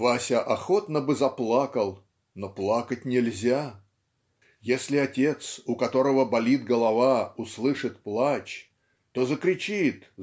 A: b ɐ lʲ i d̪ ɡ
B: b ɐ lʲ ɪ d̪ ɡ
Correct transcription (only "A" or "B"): A